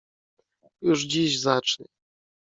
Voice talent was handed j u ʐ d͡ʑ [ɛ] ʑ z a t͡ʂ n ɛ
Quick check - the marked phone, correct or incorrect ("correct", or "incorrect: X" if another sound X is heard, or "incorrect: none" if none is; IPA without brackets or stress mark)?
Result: incorrect: i